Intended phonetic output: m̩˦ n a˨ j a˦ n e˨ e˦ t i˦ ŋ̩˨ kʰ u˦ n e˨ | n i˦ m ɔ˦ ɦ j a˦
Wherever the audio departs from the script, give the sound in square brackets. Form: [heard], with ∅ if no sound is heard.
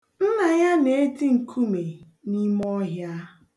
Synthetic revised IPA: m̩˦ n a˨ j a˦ n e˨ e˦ t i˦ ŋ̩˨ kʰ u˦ [m] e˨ | n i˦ m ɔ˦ ɦ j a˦